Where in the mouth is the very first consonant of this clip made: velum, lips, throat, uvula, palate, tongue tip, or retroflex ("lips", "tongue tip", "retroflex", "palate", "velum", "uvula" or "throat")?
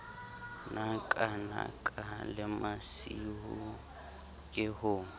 tongue tip